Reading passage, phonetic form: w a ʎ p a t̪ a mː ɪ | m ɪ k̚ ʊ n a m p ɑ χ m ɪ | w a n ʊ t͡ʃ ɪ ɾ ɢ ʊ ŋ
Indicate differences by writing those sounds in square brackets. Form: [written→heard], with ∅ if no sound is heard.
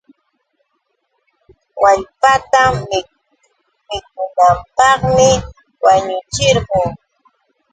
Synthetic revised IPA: w a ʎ p a t̪ a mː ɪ | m ɪ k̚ ʊ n a m p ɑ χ m ɪ | w a [n→ɲ] ʊ t͡ʃ ɪ ɾ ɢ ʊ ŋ